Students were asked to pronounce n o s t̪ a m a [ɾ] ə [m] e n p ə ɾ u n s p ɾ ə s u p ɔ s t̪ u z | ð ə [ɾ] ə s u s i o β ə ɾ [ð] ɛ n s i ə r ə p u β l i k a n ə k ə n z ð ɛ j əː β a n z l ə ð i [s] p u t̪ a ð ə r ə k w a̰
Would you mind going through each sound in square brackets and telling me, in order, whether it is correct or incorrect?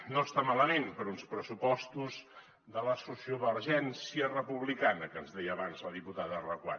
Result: incorrect, correct, incorrect, incorrect, incorrect

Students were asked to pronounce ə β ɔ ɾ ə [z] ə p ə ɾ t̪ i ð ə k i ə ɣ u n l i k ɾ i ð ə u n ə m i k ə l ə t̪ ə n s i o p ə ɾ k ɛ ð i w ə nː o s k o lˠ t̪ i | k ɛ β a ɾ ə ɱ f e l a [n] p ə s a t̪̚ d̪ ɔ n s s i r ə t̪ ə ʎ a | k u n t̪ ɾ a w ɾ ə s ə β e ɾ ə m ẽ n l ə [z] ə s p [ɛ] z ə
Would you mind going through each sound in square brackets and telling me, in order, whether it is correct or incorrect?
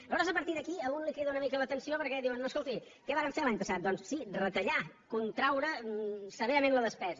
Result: correct, incorrect, incorrect, correct

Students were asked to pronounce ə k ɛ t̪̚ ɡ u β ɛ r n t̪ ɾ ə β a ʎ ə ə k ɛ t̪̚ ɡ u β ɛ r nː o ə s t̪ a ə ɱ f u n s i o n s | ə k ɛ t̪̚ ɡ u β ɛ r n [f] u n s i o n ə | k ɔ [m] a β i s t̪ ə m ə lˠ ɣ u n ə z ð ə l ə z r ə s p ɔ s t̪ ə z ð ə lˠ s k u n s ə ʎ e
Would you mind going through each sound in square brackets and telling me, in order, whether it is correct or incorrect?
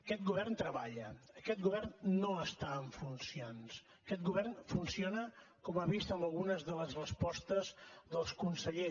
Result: correct, correct

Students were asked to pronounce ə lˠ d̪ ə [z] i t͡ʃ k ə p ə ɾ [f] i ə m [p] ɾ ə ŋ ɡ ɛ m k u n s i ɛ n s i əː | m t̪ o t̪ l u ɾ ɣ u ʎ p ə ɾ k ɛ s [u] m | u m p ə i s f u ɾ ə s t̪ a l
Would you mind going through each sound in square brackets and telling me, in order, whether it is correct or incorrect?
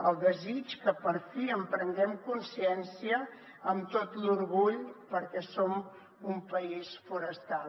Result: correct, correct, correct, incorrect

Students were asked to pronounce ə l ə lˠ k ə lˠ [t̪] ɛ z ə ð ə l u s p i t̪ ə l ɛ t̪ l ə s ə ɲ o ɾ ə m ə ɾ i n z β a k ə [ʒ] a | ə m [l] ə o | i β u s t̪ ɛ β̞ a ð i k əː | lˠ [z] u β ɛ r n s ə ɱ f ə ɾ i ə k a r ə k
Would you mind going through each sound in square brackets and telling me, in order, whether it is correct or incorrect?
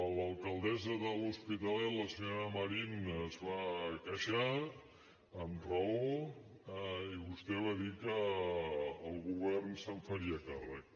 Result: incorrect, incorrect, incorrect, incorrect

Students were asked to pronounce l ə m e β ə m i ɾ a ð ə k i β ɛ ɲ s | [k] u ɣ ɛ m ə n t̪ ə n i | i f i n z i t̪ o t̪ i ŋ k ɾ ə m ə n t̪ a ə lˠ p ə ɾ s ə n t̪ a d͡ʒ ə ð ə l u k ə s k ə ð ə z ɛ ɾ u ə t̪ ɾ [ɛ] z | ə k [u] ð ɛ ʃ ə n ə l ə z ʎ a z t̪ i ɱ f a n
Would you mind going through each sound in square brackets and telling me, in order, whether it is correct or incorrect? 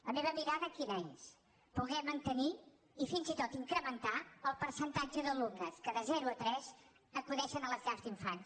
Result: incorrect, correct, correct

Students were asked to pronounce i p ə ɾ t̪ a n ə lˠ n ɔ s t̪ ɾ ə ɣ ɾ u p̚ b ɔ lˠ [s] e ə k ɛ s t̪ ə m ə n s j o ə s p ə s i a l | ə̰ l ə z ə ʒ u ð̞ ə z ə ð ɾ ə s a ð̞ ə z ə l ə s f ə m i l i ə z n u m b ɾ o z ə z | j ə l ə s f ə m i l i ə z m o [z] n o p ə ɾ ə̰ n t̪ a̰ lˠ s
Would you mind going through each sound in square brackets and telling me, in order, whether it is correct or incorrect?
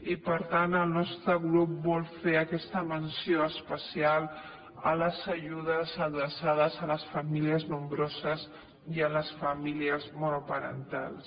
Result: incorrect, incorrect

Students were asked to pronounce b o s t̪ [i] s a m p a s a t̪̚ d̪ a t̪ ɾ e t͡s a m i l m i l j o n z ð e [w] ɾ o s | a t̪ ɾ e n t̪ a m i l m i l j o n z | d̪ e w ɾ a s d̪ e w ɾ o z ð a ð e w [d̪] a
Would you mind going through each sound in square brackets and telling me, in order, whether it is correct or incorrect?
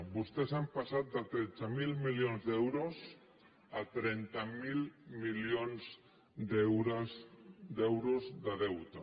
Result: incorrect, correct, incorrect

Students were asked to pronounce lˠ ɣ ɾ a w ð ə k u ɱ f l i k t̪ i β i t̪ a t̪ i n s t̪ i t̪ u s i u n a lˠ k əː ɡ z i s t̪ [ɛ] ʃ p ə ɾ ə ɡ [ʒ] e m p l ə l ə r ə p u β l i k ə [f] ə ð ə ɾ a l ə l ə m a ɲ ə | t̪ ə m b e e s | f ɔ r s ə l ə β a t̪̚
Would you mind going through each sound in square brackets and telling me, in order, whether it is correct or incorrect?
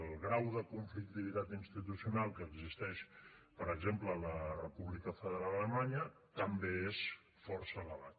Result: correct, incorrect, correct

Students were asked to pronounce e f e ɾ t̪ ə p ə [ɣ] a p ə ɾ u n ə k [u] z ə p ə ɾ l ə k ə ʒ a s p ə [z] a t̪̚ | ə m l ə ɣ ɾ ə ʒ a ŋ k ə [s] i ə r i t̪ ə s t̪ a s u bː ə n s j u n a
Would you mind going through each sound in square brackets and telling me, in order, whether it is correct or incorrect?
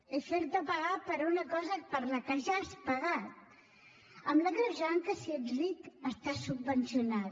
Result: correct, incorrect, incorrect, correct

